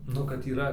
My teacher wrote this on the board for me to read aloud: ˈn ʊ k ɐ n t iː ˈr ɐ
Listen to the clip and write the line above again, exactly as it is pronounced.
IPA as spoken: ˈn ʊ k ɐ t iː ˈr ɐ